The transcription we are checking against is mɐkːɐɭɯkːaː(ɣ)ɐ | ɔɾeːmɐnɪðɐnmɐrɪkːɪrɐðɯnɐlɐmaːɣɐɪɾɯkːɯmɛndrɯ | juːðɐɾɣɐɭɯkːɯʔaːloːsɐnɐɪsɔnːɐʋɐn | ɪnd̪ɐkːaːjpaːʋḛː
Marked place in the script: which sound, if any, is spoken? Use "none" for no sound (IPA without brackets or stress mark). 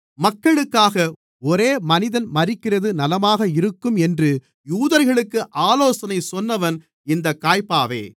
ɣ